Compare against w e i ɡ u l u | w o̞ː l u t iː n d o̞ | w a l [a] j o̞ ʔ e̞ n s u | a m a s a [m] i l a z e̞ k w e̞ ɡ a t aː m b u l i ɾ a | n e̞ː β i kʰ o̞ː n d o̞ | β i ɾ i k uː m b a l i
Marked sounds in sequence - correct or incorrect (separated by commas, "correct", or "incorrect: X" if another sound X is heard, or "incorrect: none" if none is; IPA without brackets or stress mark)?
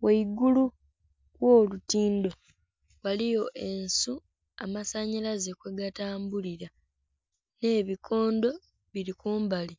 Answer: incorrect: i, incorrect: ɲ